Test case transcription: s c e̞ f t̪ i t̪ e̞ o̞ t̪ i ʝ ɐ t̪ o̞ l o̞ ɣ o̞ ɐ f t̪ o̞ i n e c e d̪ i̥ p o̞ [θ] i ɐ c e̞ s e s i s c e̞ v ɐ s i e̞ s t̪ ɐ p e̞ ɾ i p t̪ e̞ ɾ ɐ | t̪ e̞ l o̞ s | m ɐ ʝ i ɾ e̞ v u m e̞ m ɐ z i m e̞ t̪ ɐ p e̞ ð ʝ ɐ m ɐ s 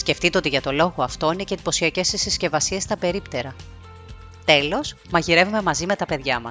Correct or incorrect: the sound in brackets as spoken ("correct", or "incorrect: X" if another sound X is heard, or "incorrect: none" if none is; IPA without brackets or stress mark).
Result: incorrect: s